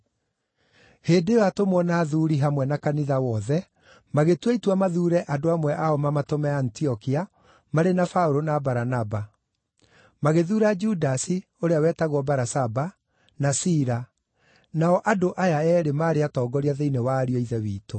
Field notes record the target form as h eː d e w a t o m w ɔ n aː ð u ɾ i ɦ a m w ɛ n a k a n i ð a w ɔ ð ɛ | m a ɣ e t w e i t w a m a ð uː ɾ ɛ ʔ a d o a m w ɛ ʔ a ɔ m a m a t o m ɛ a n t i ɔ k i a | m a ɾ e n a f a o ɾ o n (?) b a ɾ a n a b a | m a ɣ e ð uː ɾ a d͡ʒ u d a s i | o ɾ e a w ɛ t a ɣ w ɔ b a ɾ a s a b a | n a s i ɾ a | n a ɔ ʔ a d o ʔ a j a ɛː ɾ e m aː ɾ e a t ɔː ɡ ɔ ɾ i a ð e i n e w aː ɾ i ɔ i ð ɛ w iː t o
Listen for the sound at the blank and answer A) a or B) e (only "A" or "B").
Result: A